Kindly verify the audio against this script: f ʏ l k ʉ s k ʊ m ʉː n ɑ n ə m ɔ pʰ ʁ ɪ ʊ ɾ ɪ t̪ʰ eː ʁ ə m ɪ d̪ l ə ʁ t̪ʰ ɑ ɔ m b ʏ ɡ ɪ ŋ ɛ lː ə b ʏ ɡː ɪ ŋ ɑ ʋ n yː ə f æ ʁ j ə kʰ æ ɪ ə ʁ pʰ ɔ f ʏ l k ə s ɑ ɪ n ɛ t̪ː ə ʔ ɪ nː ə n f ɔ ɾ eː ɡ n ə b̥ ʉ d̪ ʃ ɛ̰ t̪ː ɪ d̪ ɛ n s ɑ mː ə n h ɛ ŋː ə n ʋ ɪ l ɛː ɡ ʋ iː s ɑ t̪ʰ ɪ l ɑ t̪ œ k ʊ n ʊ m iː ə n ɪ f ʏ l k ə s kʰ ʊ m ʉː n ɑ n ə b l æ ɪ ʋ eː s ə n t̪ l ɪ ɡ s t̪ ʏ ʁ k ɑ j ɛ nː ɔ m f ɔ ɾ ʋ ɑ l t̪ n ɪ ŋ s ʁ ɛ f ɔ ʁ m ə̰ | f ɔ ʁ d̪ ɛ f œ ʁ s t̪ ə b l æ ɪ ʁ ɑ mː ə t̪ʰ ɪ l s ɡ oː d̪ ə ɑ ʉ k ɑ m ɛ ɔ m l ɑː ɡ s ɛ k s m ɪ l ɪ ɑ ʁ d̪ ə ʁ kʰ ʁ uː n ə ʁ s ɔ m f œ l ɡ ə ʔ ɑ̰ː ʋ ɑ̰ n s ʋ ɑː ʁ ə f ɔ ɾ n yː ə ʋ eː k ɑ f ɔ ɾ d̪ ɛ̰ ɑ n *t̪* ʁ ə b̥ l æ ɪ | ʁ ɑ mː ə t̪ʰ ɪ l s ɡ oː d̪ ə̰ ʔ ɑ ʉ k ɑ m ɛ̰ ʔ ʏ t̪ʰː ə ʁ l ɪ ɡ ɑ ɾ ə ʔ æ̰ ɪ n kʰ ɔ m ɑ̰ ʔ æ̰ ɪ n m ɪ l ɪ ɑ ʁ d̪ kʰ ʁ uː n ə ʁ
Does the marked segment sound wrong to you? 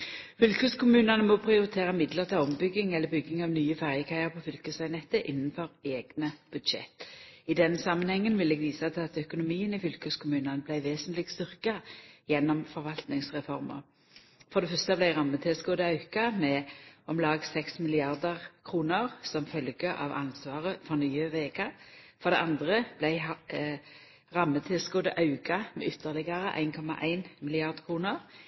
yes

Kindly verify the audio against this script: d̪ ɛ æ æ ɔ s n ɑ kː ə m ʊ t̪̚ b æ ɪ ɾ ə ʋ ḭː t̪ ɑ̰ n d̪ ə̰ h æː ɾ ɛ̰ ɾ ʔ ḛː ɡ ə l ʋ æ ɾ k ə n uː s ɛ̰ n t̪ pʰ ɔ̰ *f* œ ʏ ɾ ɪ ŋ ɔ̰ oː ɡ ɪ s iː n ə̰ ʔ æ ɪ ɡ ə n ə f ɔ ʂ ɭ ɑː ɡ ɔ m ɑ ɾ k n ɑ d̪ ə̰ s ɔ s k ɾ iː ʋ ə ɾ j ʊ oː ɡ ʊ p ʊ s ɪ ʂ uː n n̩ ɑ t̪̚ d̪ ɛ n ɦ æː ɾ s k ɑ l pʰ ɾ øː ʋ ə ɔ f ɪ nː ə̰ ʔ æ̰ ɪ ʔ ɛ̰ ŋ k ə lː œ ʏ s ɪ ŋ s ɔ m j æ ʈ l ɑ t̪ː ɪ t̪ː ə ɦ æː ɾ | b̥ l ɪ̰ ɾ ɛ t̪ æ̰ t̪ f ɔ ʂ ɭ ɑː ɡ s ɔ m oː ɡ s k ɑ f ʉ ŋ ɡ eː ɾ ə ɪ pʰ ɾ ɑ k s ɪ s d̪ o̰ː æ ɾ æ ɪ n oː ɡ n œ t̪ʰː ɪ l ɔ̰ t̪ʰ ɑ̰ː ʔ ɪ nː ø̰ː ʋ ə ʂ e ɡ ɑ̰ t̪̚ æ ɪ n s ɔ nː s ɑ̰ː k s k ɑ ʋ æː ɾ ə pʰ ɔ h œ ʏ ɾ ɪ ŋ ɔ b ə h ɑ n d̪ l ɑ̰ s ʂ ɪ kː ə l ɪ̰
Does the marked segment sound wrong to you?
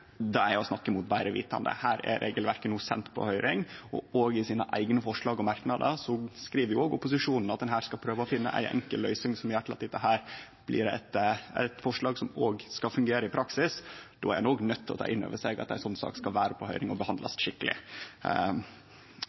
yes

